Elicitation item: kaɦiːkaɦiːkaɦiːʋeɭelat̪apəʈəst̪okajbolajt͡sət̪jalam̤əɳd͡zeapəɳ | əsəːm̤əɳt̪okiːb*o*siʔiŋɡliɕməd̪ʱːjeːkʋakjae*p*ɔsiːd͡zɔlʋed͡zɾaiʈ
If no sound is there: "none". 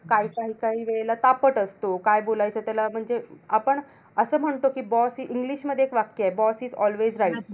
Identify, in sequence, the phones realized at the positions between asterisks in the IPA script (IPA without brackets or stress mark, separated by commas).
ɔ, b